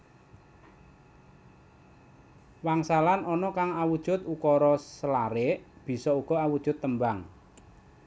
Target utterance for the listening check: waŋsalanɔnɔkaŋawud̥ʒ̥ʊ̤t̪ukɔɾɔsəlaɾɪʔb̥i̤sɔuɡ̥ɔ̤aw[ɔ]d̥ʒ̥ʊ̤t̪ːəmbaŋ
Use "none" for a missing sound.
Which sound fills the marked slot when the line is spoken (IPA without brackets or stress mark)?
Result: u